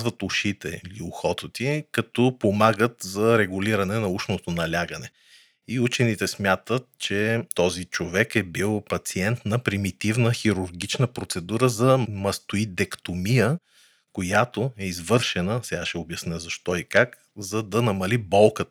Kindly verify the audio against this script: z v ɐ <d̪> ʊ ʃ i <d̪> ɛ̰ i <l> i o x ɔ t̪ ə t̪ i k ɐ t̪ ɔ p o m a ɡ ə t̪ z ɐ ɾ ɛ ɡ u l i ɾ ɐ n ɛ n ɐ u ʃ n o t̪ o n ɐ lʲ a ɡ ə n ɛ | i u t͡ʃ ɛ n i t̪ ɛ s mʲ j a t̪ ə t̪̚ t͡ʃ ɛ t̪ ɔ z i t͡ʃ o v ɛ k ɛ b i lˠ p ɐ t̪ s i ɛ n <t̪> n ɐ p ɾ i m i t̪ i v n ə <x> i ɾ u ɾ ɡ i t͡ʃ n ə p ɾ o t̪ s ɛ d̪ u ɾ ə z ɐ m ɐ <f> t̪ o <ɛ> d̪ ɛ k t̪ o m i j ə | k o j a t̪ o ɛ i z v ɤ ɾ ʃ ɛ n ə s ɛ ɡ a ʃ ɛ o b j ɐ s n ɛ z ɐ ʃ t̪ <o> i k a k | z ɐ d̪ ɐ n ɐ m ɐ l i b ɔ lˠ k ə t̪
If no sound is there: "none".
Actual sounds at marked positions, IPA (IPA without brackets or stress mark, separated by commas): t̪, t̪, l, t̪, x, s, i, ɔ